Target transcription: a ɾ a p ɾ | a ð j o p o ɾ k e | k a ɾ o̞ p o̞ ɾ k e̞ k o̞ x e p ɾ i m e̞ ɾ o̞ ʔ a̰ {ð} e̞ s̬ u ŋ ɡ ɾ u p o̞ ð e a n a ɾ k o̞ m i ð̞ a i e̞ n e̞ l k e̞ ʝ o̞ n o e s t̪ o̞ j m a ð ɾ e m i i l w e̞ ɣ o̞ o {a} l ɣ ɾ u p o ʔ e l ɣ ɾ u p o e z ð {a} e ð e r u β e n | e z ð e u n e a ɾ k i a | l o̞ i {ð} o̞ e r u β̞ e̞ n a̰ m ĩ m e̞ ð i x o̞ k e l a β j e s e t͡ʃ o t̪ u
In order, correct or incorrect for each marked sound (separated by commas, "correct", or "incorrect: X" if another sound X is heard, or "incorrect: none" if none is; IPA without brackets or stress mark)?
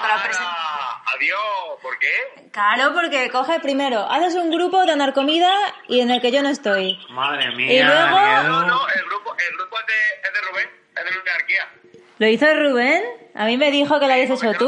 incorrect: θ, incorrect: e, incorrect: e, incorrect: θ